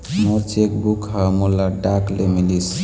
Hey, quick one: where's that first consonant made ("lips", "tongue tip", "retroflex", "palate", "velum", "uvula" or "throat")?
lips